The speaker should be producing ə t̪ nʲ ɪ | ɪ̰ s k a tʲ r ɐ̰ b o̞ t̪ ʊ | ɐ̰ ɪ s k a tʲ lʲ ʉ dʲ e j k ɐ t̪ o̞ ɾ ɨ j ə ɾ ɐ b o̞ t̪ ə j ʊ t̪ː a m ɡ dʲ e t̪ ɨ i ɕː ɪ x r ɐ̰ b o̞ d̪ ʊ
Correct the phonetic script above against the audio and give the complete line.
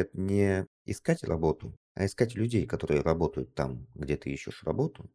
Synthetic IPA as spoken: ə t̪ nʲ ɪ | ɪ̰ s k a tʲ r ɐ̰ b o̞ t̪ ʊ | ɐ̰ ɪ s k a tʲ lʲ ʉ dʲ e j k ɐ t̪ o̞ ɾ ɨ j ə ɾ ɐ b o̞ t̪ ə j ʊ t̪ː a m ɡ dʲ e t̪ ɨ i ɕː ɪ ʂ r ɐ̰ b o̞ t̪ ʊ